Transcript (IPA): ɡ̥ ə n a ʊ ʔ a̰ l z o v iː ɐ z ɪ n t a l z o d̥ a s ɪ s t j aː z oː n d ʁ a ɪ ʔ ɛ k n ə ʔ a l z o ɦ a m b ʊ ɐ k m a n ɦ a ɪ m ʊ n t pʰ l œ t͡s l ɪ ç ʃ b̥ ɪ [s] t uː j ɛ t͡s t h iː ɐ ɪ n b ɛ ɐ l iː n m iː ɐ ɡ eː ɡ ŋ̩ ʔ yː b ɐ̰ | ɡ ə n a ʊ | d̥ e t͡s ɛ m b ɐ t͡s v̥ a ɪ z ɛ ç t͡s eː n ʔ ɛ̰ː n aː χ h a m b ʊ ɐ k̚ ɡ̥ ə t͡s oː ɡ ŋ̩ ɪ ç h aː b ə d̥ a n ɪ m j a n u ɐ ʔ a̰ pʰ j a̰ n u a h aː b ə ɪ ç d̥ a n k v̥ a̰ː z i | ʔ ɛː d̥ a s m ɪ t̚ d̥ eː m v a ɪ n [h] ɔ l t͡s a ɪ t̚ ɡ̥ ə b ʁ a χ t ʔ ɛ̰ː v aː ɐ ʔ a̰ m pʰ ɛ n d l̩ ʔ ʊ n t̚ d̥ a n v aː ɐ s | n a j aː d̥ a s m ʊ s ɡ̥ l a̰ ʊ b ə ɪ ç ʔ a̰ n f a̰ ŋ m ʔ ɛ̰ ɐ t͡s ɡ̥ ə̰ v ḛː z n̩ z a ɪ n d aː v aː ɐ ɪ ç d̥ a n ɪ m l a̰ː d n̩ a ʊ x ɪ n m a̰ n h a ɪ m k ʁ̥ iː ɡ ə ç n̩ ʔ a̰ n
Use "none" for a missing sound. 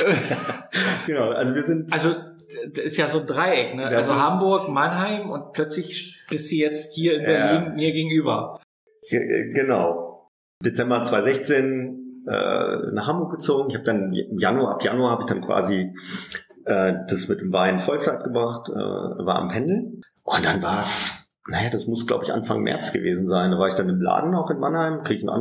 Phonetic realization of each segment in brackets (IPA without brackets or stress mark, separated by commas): s, f